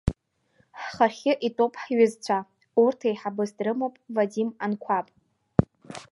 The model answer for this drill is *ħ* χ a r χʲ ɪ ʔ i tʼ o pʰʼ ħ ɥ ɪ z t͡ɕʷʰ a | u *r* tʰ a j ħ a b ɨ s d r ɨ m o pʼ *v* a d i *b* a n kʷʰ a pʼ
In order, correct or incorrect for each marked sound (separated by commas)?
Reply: correct, correct, correct, incorrect